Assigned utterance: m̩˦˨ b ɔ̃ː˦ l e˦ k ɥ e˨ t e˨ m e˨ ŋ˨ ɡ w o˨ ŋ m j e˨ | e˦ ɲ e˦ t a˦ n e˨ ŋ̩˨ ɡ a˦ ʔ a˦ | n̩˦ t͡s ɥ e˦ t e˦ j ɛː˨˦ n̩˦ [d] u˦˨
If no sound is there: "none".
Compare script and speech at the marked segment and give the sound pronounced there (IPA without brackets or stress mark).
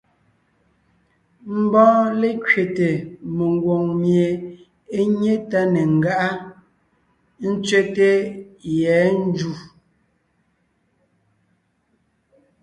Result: d͡ʒ